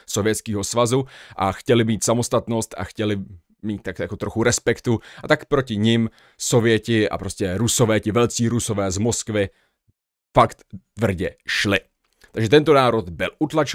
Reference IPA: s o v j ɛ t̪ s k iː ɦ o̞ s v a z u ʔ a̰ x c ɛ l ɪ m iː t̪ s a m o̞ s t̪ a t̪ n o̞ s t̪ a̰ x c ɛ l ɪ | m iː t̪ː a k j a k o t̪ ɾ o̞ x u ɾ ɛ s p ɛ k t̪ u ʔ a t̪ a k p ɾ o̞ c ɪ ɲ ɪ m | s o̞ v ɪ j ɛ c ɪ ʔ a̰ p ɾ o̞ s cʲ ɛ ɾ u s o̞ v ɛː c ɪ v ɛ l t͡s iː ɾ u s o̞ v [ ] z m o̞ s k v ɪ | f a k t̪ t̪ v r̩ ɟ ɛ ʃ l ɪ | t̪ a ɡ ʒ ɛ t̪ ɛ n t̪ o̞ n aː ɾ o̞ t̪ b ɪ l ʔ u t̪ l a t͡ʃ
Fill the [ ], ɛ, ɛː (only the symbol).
ɛː